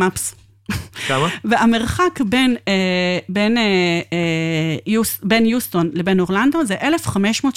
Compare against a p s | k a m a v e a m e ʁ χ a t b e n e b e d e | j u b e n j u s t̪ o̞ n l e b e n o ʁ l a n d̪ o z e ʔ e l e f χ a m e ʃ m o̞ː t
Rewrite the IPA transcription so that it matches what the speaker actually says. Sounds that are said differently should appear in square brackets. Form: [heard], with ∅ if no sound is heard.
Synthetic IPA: a p s | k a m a v e a m e ʁ χ a [k] b e n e b e [n] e | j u b e n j u s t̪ o̞ n l e b e n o ʁ l a n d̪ o z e ʔ e l e f χ a m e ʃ m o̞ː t